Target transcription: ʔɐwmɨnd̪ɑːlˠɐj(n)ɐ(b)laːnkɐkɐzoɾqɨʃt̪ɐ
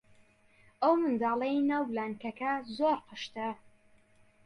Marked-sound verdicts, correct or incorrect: correct, incorrect: w

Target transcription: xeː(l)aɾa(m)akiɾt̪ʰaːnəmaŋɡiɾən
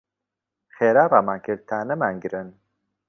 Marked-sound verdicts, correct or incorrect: incorrect: ɾ, correct

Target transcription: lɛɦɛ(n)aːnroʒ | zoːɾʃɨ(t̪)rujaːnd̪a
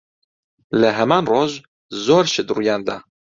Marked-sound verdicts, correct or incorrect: incorrect: m, incorrect: d̪

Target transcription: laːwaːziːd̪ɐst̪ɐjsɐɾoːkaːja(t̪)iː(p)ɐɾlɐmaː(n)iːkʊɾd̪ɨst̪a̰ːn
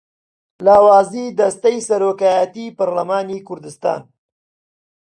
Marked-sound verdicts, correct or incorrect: correct, correct, correct

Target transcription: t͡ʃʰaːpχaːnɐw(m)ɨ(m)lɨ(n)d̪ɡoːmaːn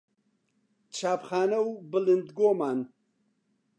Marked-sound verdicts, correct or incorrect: incorrect: b, incorrect: none, correct

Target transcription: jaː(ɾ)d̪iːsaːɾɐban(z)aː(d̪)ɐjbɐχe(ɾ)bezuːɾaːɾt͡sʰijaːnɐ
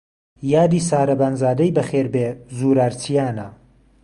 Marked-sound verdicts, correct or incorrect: incorrect: none, correct, correct, correct

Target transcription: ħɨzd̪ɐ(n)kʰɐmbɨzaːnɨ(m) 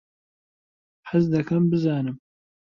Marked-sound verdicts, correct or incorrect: incorrect: none, correct

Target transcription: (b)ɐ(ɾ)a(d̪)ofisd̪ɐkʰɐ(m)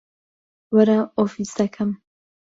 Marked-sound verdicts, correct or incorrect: incorrect: w, correct, incorrect: none, correct

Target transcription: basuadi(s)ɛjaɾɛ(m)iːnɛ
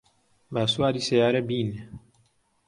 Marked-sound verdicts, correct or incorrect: correct, incorrect: b

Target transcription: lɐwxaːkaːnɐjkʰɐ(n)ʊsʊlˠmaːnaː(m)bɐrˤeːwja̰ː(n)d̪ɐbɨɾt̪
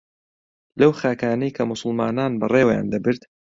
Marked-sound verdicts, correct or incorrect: incorrect: m, incorrect: n, correct

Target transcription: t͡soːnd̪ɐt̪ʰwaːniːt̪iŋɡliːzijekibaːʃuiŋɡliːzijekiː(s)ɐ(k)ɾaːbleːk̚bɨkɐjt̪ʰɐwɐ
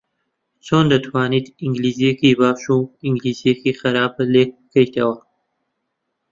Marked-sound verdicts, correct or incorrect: incorrect: x, incorrect: none

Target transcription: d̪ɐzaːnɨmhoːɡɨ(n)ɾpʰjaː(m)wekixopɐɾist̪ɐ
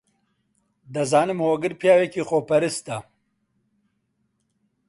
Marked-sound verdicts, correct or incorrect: incorrect: none, incorrect: none

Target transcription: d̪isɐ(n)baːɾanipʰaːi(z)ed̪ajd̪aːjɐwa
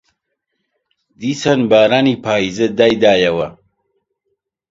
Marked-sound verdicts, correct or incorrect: correct, correct

